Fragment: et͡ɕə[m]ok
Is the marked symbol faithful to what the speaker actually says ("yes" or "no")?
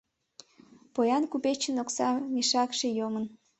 no